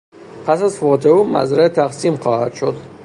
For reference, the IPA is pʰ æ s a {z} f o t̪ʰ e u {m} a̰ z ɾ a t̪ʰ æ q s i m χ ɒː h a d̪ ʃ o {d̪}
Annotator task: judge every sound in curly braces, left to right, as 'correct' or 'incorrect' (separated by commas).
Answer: correct, correct, correct